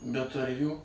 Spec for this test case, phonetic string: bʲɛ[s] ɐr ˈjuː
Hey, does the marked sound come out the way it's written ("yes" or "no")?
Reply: no